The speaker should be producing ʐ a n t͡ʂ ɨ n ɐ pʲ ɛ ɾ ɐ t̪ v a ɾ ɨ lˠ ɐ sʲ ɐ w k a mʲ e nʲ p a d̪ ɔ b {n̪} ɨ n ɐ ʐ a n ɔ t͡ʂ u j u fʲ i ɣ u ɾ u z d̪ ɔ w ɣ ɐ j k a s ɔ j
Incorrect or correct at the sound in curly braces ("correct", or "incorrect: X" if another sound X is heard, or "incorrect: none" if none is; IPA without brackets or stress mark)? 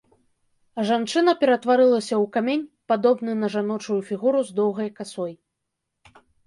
correct